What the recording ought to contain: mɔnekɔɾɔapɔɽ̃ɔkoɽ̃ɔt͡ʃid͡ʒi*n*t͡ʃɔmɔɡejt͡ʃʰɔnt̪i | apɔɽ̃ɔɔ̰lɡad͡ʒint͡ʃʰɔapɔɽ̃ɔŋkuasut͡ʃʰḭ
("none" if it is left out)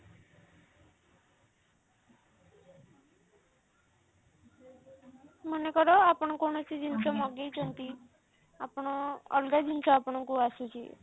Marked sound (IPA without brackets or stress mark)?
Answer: n